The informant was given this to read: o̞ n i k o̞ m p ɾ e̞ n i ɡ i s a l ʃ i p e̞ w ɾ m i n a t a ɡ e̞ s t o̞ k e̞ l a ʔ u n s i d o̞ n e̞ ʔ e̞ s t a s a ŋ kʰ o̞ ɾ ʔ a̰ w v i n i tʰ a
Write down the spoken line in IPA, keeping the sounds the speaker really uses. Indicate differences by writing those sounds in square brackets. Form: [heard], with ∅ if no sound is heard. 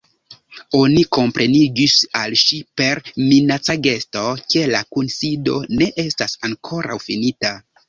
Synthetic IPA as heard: o̞ n i k o̞ m p ɾ e̞ n i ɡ i s a l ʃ i p e̞ [∅] ɾ m i n a [t͡s] a ɡ e̞ s t o̞ k e̞ l a [k] u n s i d o̞ n e̞ ʔ e̞ s t a s a ŋ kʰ o̞ ɾ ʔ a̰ w [f] i n i [t] a